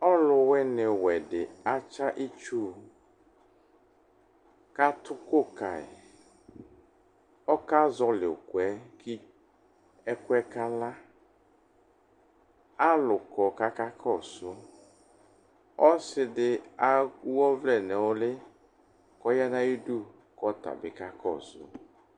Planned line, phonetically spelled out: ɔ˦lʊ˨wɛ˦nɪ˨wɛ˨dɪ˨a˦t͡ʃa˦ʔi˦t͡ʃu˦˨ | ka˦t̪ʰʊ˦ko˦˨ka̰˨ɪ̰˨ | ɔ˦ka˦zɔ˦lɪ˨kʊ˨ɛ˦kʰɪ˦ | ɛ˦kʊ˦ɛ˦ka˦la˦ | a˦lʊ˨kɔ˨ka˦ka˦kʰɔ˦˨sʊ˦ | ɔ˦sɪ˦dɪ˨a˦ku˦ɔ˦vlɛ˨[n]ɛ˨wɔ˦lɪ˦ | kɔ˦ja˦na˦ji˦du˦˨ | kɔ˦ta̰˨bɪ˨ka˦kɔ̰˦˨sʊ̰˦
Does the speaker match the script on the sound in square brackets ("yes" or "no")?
yes